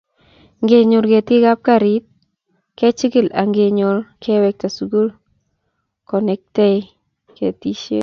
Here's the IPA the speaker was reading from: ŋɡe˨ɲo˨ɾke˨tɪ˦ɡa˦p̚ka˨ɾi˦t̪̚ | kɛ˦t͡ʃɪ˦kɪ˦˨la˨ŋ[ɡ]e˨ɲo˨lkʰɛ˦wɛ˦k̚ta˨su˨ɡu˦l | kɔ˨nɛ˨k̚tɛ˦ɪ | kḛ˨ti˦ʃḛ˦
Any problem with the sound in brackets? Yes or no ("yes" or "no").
no